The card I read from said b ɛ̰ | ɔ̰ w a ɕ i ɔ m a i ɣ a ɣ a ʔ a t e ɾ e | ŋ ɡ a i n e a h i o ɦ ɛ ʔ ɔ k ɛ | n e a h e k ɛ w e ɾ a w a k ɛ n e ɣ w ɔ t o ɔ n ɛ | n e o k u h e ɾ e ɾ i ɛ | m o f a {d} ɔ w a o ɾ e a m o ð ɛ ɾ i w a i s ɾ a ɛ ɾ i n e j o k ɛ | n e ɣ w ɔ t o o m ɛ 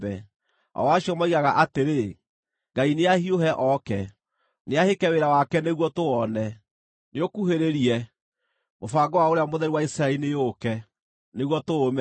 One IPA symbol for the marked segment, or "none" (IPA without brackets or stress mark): ɡ